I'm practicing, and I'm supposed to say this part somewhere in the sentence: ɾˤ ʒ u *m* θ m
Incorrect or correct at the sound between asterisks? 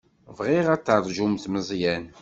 correct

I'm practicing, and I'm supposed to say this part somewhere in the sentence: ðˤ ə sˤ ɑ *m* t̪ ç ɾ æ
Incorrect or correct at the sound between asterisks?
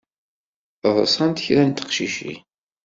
incorrect: n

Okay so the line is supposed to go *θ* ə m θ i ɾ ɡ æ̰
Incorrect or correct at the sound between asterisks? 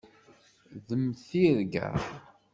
incorrect: ð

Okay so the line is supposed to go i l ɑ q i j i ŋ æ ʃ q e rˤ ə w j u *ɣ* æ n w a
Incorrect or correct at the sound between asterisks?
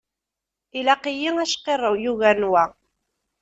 correct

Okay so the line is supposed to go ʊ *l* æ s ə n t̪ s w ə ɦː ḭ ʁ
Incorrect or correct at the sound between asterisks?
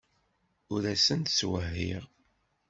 incorrect: ɾ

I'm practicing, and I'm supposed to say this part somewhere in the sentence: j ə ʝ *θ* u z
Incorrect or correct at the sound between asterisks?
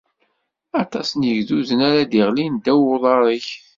incorrect: ð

